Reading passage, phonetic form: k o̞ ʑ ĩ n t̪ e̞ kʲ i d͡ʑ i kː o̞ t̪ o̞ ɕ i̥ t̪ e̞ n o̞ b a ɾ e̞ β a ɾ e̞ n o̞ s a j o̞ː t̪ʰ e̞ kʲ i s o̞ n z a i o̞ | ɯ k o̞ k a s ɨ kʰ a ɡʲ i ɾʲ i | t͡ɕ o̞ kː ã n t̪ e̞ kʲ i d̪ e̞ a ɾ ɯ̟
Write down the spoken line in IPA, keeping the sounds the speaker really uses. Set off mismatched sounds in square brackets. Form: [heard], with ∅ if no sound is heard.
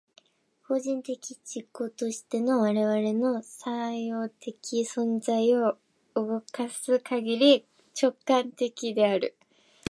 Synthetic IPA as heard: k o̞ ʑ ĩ n t̪ e̞ kʲ i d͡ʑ i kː o̞ t̪ o̞ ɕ i̥ t̪ e̞ n o̞ [β] a ɾ e̞ β a ɾ e̞ n o̞ s a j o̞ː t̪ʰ e̞ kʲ i s [õ̞] n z a i o̞ | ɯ [ɡ] o̞ k a s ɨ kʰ a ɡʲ i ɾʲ i | t͡ɕ o̞ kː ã n t̪ e̞ kʲ i d̪ e̞ a ɾ ɯ̟